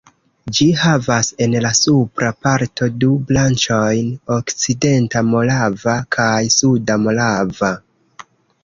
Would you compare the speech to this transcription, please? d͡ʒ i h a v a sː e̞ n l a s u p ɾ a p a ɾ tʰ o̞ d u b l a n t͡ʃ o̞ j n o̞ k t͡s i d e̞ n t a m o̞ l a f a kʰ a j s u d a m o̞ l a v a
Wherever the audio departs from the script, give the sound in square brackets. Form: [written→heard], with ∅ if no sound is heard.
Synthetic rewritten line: d͡ʒ i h a v a [sː→s] e̞ n l a s u p ɾ a p a ɾ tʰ o̞ d u b l a n t͡ʃ o̞ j n o̞ k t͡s i d e̞ n t a m o̞ l a [f→v] a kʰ a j s u d a m o̞ l a v a